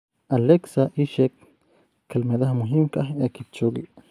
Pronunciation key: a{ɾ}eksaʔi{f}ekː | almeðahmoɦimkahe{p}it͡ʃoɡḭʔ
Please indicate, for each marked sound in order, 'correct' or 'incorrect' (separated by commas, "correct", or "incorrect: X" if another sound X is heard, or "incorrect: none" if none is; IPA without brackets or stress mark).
incorrect: l, incorrect: ʃ, incorrect: k